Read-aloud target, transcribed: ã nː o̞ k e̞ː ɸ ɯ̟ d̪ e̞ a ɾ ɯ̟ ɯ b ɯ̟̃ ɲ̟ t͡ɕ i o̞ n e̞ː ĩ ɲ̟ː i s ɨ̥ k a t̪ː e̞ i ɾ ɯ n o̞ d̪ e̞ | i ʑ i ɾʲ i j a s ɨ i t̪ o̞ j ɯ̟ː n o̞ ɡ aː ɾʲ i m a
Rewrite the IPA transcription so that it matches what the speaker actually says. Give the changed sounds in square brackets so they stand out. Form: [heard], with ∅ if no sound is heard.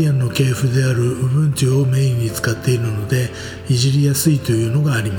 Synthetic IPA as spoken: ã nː o̞ k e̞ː ɸ ɯ̟ d̪ e̞ a ɾ ɯ̟ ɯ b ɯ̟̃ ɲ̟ t͡ɕ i o̞ [m] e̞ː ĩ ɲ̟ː i [t͡s] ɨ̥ k a t̪ː e̞ i ɾ ɯ n o̞ d̪ e̞ | i ʑ i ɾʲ i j a s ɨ i t̪ o̞ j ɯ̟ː n o̞ ɡ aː ɾʲ i m a